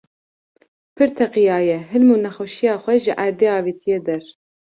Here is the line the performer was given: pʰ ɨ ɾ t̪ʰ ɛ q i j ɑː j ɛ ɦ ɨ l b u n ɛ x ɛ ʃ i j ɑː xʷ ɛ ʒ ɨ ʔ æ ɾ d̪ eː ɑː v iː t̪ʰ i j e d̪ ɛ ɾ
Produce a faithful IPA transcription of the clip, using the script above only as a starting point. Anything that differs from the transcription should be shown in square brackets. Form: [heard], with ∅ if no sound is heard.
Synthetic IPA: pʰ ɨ ɾ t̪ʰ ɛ q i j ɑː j ɛ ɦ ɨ l [m] u n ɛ x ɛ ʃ i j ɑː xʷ ɛ ʒ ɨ ʔ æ ɾ d̪ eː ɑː v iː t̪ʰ i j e d̪ ɛ ɾ